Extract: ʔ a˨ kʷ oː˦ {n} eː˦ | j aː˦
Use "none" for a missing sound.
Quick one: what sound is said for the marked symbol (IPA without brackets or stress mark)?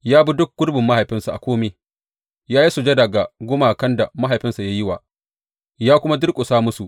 m